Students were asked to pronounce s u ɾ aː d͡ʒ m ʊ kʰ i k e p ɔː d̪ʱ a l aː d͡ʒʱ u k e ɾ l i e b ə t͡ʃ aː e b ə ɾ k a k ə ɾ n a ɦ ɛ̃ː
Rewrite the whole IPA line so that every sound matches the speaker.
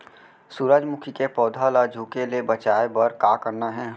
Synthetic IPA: s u ɾ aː d͡ʒ m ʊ kʰ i k e p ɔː d̪ʱ a l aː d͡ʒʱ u k e l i e b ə t͡ʃ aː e b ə ɾ k a k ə ɾ n a ɦ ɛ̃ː